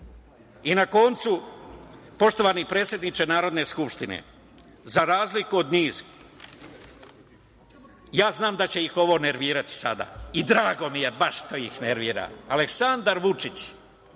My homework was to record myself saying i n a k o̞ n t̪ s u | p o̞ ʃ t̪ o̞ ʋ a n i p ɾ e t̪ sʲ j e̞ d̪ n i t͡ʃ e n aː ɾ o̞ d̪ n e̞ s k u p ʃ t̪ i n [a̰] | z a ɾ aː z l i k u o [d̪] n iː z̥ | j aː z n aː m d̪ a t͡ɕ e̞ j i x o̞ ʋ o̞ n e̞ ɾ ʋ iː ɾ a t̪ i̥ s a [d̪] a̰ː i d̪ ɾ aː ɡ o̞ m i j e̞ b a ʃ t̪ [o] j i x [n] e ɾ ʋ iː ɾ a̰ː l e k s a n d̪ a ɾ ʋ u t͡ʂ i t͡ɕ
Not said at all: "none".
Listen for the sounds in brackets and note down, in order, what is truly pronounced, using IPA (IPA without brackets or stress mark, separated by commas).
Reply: ḛ, d̪, d̪, o, n